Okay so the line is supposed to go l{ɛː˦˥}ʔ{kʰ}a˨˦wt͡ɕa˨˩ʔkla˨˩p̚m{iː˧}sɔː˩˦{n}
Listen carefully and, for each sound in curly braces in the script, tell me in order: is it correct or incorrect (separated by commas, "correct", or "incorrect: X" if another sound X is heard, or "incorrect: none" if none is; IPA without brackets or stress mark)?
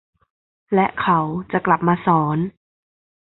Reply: incorrect: ɛ˦˥, correct, incorrect: aː˧, correct